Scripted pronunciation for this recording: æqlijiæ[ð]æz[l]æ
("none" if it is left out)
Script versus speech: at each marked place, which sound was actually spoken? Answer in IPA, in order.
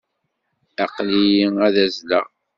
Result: ð, l

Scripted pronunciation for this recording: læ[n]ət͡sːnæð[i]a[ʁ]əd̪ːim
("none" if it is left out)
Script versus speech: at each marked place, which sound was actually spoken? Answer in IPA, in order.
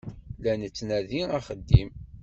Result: n, i, χ

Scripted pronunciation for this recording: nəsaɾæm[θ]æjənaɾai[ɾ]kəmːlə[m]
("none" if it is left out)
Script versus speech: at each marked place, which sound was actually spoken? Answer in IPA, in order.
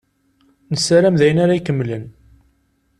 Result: ð, none, n

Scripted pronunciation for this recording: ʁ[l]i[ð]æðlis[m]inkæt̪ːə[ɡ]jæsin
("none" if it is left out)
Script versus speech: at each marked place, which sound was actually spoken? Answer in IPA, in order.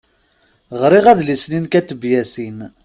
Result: ɾ, ʁ, n, b

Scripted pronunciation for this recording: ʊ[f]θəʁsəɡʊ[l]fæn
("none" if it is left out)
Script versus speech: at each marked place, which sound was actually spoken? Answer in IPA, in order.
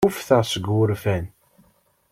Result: f, ɾ

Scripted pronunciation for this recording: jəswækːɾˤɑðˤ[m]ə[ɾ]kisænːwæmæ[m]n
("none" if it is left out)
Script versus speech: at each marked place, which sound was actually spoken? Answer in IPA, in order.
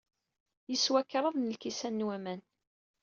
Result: n, l, none

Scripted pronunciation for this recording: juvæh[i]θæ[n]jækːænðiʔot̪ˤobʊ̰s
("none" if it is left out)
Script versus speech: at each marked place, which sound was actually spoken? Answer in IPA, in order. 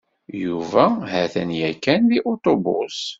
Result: æ, n

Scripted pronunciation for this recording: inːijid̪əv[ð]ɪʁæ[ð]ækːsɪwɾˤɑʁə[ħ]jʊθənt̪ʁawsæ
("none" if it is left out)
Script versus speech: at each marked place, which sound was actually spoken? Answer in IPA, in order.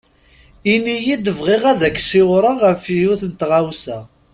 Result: ʁ, ð, f

